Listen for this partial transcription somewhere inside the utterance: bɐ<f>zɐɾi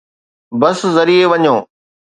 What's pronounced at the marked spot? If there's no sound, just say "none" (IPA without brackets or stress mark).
s